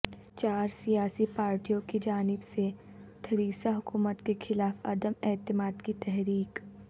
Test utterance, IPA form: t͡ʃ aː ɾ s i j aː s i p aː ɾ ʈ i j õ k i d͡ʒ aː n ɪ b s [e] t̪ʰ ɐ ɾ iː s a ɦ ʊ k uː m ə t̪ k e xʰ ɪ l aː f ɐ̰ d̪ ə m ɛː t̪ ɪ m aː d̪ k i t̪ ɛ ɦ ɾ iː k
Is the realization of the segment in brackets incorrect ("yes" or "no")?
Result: no